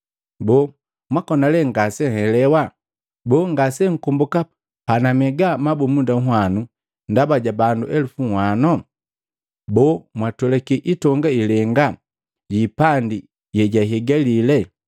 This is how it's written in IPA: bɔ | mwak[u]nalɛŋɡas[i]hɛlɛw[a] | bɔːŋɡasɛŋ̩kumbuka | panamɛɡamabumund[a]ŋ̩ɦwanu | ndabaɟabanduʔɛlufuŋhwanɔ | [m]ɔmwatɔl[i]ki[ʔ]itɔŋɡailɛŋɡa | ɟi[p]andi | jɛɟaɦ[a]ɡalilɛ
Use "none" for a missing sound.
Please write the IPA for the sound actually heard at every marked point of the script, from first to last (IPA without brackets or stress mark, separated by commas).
ɔ, ɛ, a, a, b, ɛ, ʔ, p, ɛ